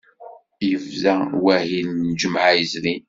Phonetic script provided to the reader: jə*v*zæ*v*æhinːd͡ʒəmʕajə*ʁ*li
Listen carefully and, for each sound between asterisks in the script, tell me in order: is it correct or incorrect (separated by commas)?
correct, incorrect, incorrect